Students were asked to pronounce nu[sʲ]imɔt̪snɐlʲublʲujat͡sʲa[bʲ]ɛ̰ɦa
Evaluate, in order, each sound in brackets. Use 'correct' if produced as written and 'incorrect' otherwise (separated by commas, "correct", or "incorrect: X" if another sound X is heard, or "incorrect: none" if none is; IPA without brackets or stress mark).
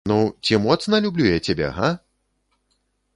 incorrect: t͡sʲ, correct